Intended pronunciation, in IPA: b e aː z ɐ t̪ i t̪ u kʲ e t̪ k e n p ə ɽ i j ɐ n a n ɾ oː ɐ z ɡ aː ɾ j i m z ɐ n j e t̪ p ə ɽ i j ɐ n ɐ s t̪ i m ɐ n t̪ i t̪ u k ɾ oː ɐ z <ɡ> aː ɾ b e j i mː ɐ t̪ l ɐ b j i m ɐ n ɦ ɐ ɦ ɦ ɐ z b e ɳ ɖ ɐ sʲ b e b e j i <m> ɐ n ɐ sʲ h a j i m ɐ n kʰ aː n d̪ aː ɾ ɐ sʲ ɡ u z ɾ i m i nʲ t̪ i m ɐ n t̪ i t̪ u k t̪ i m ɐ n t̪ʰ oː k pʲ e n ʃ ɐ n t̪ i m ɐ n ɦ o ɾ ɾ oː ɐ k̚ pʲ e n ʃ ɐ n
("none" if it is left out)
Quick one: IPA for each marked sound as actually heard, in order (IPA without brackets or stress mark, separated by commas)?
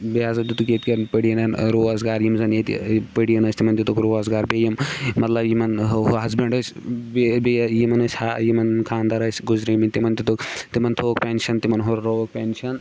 ɡ, m